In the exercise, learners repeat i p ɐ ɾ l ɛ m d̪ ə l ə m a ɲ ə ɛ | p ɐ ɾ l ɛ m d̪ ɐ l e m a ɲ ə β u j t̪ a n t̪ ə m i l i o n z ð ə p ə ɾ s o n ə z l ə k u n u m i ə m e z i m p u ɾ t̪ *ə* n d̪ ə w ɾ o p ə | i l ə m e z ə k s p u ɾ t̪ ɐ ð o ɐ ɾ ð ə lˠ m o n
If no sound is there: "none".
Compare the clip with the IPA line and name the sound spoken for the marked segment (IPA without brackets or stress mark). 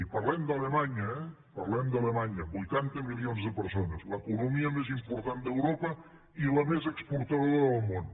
a